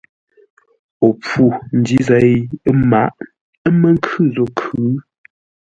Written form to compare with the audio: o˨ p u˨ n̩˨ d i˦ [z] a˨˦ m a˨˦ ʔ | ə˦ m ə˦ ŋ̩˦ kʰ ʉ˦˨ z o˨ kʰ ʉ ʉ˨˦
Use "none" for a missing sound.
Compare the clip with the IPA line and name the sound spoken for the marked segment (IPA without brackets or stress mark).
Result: z